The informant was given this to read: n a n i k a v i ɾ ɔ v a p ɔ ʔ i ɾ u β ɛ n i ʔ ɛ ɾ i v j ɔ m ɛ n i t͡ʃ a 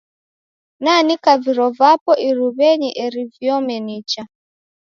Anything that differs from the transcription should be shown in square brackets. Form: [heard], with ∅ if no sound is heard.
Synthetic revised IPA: n a n i k a v i ɾ ɔ v a p ɔ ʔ i ɾ u β ɛ [ɲ] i ʔ ɛ ɾ i v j ɔ m ɛ n i t͡ʃ a